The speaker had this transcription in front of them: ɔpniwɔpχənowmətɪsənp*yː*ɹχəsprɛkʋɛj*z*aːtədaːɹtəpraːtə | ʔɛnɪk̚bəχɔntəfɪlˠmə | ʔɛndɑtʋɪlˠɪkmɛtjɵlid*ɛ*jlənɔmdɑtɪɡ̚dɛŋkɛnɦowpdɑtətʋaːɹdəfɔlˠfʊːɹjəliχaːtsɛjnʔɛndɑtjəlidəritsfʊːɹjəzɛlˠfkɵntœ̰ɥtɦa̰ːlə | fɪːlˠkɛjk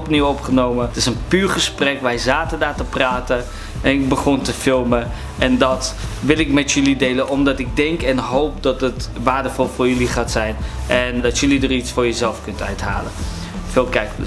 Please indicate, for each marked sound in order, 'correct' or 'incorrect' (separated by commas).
correct, correct, incorrect